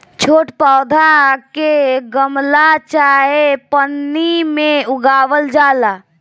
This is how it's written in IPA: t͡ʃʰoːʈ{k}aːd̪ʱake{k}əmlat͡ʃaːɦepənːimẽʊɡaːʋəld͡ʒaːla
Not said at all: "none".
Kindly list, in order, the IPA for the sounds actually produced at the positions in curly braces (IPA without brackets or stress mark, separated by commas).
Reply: p, ɡ